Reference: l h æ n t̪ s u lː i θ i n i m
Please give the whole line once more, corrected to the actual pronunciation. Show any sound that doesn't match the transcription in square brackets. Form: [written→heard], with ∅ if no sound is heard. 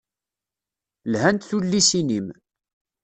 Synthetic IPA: l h æ n t̪ [s→θ] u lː i [θ→s] i n i m